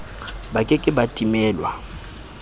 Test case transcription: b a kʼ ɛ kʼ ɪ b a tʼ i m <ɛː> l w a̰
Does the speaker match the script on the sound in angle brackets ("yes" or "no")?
yes